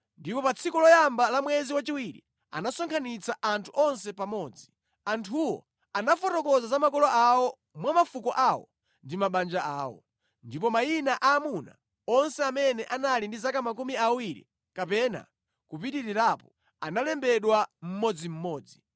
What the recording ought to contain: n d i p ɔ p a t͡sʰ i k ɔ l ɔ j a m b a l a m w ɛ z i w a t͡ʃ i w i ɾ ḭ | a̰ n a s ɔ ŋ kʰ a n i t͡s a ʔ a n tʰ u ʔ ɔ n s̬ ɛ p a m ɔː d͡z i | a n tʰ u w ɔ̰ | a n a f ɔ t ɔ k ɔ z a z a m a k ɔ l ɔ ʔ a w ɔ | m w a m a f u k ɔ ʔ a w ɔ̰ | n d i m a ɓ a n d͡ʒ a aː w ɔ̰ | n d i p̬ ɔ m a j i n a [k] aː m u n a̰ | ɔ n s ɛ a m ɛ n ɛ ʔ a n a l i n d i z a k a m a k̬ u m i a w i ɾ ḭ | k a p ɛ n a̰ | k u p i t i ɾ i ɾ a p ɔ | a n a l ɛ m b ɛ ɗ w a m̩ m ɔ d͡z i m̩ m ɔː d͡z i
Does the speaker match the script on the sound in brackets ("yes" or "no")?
no